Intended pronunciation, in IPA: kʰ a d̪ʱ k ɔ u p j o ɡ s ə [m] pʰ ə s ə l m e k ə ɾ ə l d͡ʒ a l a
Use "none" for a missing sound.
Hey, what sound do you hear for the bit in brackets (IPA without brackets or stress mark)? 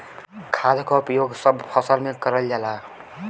b